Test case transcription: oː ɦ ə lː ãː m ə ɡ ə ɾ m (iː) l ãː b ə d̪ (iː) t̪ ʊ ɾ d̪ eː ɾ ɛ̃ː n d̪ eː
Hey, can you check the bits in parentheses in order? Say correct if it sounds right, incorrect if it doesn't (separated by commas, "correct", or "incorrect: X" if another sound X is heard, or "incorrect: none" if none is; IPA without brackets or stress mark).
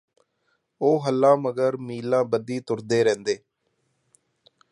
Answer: correct, correct